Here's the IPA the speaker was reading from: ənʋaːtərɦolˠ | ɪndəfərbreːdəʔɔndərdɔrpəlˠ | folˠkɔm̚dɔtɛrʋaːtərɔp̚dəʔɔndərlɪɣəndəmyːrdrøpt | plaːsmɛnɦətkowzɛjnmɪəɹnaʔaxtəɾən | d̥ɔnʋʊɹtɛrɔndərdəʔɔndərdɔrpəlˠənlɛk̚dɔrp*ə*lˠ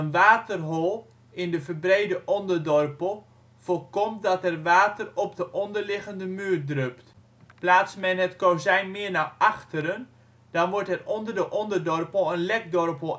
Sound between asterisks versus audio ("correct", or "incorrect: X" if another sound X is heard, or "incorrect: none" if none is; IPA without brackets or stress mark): correct